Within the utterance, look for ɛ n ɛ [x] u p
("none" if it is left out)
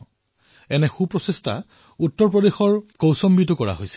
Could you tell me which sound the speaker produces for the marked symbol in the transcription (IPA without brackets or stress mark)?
x